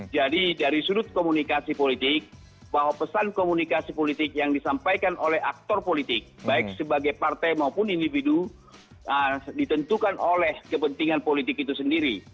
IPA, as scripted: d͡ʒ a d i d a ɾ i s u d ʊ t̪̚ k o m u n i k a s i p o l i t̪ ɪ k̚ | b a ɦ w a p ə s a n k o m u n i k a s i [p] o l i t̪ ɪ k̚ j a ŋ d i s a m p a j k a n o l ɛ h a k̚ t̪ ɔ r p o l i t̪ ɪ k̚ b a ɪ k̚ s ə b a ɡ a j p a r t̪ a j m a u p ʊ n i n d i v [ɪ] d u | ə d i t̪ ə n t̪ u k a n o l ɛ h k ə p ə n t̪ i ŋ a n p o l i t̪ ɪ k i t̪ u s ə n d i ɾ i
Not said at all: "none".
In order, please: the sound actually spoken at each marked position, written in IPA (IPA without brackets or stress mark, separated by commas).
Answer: p, i